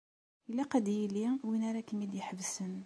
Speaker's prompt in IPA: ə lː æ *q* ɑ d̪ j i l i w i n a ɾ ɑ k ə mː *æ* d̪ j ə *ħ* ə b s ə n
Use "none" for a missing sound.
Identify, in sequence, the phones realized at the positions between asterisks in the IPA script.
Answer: q, i, ħ

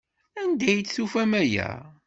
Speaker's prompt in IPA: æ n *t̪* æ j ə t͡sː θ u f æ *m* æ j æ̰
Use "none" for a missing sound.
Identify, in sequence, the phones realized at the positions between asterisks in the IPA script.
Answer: d̪, m

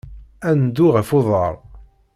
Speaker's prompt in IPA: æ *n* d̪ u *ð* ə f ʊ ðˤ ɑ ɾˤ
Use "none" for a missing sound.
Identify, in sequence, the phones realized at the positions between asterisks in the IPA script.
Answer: n, ʁ

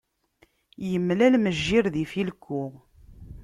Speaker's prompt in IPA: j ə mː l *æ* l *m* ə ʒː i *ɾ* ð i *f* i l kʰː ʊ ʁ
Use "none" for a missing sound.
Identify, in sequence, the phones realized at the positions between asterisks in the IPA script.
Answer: æ, m, ɾ, f

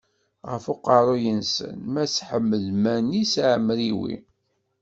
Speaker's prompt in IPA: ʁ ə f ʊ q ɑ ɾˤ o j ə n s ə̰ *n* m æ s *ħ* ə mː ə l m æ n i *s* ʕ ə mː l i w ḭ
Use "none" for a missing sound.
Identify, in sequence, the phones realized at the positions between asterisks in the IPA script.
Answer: n, ħ, s

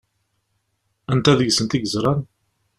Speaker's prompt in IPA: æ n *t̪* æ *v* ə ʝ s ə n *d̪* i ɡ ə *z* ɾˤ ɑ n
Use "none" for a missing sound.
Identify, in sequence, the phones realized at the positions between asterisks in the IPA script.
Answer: t̪, ð, t̪, z

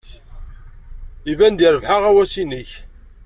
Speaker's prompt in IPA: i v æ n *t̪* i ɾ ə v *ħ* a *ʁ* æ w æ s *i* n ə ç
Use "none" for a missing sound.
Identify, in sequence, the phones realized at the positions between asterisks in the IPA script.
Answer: d̪, ħ, ʁ, i

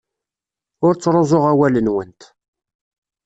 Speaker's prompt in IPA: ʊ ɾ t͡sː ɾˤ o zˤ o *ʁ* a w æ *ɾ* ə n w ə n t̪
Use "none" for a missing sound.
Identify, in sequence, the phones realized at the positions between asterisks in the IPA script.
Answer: ʁ, l

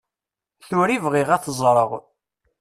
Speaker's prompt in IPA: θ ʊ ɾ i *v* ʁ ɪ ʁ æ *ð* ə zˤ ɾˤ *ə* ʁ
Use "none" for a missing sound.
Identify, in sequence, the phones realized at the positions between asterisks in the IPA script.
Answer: v, θ, ə

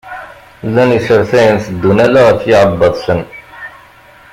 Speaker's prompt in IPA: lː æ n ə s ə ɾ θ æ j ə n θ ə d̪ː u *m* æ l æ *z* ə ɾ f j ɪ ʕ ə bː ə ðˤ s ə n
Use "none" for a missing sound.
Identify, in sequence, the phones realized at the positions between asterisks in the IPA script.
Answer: n, ʁ

